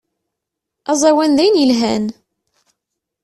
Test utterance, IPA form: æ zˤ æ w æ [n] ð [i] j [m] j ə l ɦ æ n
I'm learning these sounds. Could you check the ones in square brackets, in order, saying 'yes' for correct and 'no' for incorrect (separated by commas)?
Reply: yes, no, no